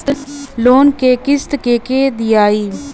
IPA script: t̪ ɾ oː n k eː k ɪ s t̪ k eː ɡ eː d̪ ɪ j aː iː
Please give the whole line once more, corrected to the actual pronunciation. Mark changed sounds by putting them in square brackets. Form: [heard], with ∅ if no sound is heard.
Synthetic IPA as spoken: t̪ [l] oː n k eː k ɪ s t̪ k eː [k] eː d̪ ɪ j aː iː